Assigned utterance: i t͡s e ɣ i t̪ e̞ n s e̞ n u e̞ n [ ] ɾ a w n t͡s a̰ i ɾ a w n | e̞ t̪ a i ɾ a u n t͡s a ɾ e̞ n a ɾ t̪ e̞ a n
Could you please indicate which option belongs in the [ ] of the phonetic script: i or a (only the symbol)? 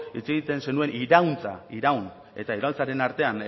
i